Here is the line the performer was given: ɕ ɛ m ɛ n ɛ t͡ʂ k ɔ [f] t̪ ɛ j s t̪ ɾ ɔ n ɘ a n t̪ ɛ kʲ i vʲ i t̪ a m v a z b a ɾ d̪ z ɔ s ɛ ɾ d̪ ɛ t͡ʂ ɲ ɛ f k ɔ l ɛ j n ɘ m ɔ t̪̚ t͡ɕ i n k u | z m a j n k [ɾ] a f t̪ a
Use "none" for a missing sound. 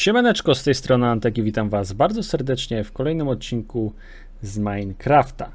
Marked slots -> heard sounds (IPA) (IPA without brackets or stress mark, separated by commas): s, ɾ